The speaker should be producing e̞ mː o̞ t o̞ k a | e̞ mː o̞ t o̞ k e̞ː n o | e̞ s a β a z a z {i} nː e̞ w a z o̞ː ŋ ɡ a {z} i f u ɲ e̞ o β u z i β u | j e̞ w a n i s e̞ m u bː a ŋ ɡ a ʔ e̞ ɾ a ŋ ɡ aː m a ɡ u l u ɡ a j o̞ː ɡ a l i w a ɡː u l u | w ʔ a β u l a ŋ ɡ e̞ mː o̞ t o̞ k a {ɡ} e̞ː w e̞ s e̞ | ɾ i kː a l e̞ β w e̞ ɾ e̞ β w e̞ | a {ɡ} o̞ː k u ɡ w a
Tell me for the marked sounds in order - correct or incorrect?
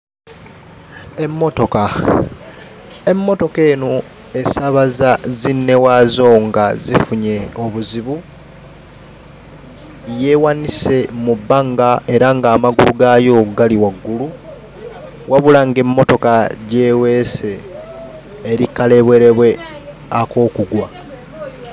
correct, correct, incorrect, incorrect

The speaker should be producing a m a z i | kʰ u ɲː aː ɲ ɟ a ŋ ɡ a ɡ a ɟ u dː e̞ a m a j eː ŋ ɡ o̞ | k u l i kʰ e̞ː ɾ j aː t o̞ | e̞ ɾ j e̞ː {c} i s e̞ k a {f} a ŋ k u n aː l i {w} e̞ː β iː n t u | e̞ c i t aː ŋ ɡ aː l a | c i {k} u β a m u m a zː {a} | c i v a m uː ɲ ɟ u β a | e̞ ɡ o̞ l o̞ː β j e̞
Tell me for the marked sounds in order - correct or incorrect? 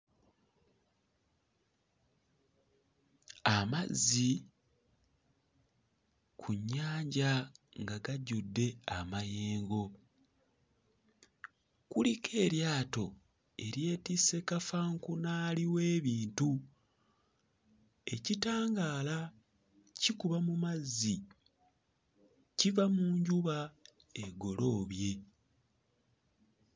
incorrect, correct, correct, correct, incorrect

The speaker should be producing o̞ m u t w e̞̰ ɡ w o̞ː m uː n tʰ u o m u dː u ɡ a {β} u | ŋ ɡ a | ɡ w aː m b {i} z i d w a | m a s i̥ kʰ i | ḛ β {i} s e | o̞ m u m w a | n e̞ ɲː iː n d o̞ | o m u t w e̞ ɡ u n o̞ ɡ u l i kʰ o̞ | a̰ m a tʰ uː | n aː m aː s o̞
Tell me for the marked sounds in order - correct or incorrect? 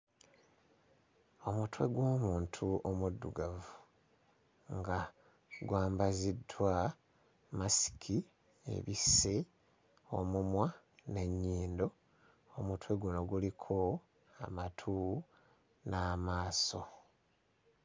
incorrect, incorrect, correct

